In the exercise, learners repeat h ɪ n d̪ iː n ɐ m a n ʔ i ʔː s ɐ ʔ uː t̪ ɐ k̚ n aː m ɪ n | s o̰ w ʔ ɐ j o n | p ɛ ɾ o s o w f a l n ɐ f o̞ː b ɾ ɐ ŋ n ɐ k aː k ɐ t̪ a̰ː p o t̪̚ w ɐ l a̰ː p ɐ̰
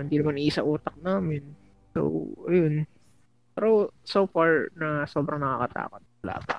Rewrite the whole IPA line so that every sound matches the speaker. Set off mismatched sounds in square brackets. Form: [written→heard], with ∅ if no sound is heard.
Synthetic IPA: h ɪ n d̪ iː n ɐ m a n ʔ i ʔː s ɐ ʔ uː t̪ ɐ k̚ n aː m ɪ n | s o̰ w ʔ ɐ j o n | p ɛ ɾ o s o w f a [l→ɹ] n ɐ [f→s] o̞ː b ɾ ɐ ŋ n ɐ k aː k ɐ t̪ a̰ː [p→k] o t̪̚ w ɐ l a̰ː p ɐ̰